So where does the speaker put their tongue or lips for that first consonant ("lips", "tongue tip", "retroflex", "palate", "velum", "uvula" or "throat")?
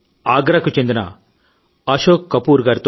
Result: velum